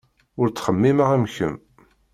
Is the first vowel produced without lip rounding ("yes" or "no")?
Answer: no